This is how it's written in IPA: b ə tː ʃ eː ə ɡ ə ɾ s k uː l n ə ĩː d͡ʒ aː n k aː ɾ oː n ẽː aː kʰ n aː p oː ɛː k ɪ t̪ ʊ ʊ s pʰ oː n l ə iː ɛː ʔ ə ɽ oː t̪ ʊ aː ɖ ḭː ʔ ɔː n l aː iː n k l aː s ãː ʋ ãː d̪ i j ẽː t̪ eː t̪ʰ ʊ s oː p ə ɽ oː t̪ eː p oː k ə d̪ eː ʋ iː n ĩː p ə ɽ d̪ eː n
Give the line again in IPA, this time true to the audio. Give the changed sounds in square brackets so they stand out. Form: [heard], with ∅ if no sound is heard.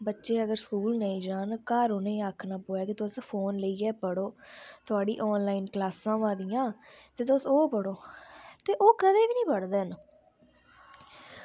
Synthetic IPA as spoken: b ə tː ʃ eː ə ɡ ə ɾ s k uː l n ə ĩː d͡ʒ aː n k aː ɾ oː n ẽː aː kʰ n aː p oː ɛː k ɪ t̪ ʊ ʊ s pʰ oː n l ə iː ɛː [p] ə ɽ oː t̪ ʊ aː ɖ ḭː ʔ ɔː n l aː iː n k l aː s ãː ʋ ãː d̪ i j [ãː] t̪ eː [t̪] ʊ s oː p ə ɽ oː t̪ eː [ʔ] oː k ə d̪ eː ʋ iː n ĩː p ə ɽ d̪ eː n